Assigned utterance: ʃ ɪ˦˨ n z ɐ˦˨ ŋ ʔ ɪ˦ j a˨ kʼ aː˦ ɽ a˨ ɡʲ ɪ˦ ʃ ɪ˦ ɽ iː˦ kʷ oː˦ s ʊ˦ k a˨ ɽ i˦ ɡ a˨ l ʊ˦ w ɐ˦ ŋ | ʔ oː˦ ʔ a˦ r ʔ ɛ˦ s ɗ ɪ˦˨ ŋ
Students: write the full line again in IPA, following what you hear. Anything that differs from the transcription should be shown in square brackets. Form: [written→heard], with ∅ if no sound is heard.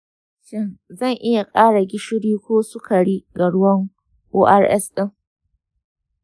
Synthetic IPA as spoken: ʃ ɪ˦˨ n z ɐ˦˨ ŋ ʔ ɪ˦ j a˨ kʼ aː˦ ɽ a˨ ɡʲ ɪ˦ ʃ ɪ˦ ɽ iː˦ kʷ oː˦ s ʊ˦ k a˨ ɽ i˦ ɡ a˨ [l→ɽ] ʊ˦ w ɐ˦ ŋ | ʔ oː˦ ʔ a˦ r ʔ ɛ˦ s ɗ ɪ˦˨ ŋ

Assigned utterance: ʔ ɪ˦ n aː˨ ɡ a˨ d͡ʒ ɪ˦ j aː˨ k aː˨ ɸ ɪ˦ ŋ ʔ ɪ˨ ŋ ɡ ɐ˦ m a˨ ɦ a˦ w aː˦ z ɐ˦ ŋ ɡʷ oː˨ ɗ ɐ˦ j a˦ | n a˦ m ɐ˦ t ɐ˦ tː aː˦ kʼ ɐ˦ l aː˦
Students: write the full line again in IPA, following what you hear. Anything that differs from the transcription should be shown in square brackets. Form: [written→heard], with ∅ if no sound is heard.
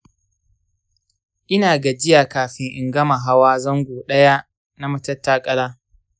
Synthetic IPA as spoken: ʔ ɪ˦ n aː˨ ɡ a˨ d͡ʒ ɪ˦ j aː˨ k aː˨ ɸ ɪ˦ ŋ ʔ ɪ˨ ŋ ɡ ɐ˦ m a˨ ɦ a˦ w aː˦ z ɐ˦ ŋ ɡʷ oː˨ ɗ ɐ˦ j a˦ | n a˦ m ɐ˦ t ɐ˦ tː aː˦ kʼ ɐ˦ l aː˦

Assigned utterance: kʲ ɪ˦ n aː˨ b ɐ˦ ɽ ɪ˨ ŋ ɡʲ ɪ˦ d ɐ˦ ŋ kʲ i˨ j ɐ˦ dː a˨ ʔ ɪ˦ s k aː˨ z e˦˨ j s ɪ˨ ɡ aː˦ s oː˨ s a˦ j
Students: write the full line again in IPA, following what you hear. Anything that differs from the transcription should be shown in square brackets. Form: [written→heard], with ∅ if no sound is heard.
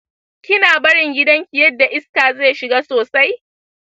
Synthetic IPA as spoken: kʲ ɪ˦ n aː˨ b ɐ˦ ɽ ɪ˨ ŋ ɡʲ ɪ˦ d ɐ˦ ŋ kʲ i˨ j ɐ˦ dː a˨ ʔ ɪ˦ s k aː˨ z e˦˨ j [s→ʃ] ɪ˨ ɡ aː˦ s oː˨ s a˦ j

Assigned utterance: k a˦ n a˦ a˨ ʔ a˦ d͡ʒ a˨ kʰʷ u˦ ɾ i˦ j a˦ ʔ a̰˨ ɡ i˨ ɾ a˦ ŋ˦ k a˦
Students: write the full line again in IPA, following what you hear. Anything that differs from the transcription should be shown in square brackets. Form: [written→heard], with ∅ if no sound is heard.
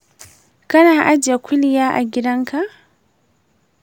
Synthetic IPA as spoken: k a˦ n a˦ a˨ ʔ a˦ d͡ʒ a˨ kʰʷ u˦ [ɾ→l] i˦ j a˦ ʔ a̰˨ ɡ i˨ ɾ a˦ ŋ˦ k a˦

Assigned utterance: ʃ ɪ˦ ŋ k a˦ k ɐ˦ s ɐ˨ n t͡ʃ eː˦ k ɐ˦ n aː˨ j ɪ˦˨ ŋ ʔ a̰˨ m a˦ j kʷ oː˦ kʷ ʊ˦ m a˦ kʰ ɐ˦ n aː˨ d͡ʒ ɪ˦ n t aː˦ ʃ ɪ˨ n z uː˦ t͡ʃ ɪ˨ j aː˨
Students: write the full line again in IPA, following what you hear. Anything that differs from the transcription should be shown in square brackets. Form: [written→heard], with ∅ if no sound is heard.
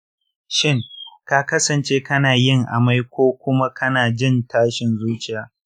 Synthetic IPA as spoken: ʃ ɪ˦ ŋ k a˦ k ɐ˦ s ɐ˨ n t͡ʃ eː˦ k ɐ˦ n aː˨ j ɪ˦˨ ŋ ʔ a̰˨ m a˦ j kʷ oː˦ kʷ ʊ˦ m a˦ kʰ ɐ˦ n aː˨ d͡ʒ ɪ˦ n t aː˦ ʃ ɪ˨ n z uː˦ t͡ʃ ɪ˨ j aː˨

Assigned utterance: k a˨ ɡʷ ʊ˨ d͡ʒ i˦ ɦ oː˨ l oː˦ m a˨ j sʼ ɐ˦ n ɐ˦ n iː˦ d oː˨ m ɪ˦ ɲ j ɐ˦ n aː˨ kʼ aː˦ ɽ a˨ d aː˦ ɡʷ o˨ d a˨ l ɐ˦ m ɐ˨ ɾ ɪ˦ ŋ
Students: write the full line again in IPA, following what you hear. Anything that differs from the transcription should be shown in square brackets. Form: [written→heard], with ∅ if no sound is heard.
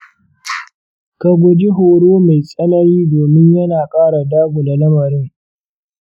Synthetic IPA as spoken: k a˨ ɡʷ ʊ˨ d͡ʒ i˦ ɦ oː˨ [l→ɽ] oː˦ m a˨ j sʼ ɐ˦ n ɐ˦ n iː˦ d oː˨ m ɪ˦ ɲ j ɐ˦ n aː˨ kʼ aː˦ ɽ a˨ d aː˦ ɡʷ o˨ d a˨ l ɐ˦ m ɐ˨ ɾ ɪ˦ ŋ

